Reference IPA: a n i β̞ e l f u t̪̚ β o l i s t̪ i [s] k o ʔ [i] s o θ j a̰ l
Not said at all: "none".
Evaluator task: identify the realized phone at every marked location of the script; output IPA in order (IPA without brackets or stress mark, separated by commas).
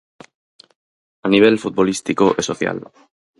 none, e